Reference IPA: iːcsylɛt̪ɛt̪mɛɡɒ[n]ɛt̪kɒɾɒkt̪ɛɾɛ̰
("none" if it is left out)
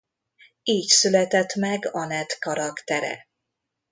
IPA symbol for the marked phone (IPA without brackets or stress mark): n